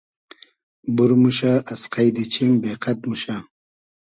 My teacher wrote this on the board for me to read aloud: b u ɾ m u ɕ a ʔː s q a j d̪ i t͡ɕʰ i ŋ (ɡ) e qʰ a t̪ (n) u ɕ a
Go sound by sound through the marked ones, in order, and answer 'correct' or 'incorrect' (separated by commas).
incorrect, incorrect